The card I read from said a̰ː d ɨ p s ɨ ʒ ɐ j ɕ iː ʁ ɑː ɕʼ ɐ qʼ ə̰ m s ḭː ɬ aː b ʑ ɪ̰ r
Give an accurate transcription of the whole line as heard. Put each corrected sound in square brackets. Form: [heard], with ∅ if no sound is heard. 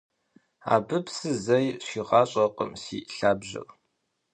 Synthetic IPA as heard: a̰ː [b] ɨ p s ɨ [z] ɐ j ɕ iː ʁ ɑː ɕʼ ɐ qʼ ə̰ m s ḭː ɬ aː b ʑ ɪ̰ r

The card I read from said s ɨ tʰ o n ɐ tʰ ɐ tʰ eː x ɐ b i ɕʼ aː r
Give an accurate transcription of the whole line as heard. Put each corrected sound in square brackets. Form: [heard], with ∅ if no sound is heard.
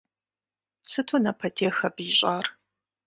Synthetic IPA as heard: s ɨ tʰ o n ɐ [pʰ] ɐ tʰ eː x ɐ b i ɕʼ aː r

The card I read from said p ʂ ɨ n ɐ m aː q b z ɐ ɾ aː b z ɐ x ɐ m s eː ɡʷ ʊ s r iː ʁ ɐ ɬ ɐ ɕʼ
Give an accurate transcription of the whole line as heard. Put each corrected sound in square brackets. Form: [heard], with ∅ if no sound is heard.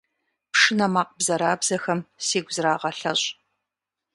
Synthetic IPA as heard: p ʂ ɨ n ɐ m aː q b z ɐ ɾ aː b z ɐ x ɐ m s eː ɡʷ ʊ [z] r [aː] ʁ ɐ ɬ ɐ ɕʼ

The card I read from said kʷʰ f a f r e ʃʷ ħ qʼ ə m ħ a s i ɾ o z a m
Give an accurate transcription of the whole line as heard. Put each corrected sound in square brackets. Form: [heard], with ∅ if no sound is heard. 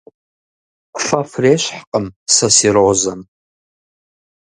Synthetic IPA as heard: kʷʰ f a f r e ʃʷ ħ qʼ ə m [s] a s i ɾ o z a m

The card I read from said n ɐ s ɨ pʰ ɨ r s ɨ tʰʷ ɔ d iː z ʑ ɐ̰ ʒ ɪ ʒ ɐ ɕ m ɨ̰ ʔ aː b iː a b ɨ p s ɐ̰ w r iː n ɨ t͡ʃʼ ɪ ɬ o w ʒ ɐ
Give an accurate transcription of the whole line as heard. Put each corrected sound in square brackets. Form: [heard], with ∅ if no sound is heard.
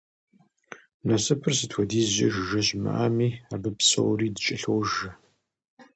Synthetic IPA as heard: n ɐ s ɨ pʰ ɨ r s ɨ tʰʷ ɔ d iː z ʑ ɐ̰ ʒ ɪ ʒ ɐ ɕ m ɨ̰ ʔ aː [m] iː a b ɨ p s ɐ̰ w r iː [d] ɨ t͡ʃʼ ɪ ɬ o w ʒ ɐ

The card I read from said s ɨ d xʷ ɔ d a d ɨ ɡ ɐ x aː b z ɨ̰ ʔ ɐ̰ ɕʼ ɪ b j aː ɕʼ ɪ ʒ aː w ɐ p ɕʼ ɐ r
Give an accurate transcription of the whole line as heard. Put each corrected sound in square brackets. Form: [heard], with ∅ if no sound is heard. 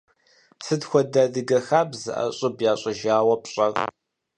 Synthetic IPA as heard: s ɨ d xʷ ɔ d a d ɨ ɡ ɐ x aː b z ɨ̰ ʔ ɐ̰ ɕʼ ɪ b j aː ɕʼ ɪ ʒ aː w ɐ p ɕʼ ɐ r

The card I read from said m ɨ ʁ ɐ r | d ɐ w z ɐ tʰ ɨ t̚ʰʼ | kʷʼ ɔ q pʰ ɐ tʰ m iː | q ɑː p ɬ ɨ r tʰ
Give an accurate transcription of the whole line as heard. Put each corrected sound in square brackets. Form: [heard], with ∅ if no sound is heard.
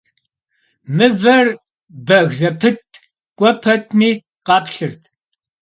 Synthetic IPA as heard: m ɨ [v] ɐ r | [b] ɐ [ɣ] z ɐ [pʰ] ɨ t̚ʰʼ | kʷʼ ɔ [∅] pʰ ɐ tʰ m iː | q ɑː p ɬ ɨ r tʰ

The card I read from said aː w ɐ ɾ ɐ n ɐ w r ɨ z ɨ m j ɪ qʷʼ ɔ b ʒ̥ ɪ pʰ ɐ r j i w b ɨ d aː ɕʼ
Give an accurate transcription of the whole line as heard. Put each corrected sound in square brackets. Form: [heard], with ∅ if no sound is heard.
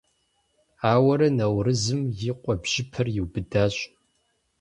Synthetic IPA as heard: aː w ɐ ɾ ɐ n ɐ w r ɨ z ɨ m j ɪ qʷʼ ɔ b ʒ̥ ɪ pʰ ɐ r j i w b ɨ d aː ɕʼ

